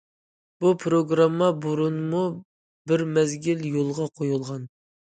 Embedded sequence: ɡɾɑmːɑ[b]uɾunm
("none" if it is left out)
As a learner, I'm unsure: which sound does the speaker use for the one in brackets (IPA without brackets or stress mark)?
b